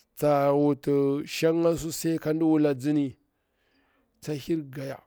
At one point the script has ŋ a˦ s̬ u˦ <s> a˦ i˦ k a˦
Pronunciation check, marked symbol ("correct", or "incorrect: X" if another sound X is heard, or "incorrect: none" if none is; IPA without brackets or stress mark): correct